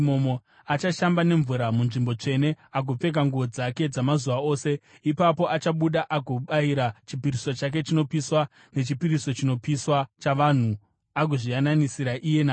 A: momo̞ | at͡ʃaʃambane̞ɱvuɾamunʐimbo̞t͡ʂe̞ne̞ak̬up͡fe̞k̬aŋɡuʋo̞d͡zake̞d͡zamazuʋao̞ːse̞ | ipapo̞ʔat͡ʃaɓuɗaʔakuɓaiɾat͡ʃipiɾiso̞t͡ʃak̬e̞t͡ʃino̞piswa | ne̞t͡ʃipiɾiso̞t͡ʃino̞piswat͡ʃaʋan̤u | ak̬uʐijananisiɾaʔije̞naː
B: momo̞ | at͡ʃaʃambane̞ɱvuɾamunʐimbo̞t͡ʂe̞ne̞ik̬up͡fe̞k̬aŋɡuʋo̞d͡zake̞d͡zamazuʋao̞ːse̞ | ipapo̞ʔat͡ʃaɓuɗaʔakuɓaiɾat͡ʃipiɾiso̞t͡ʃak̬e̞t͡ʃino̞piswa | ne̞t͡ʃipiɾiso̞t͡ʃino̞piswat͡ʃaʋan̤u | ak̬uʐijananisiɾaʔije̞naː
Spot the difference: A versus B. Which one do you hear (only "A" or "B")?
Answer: A